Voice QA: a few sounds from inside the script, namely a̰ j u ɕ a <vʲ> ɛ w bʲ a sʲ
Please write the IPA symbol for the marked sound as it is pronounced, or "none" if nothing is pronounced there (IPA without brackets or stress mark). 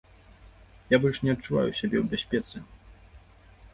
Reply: bʲ